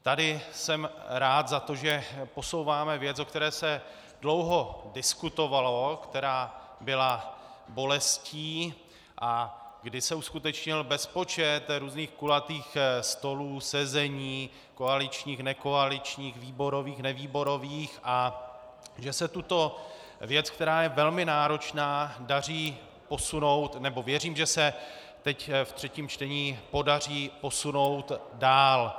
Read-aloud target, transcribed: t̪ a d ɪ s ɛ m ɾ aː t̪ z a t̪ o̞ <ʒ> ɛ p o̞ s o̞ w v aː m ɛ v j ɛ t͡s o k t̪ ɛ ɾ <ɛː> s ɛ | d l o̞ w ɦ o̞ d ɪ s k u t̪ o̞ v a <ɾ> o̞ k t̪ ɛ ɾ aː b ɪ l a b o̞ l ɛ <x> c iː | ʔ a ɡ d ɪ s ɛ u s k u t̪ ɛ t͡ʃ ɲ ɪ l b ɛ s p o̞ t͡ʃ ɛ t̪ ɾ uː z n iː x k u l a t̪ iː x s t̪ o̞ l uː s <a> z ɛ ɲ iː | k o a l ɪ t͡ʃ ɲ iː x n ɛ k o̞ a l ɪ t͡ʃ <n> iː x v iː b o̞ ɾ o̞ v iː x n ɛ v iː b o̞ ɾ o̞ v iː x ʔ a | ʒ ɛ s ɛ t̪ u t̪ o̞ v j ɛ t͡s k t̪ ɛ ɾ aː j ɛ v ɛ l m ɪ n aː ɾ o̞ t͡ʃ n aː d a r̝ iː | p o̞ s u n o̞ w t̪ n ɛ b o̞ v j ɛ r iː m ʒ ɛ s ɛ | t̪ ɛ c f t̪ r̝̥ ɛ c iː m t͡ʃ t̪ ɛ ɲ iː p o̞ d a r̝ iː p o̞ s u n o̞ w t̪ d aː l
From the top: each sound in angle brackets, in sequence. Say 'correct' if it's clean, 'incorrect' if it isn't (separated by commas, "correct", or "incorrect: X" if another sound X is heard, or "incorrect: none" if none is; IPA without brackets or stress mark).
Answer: correct, correct, incorrect: l, incorrect: s, incorrect: ɛ, incorrect: ɲ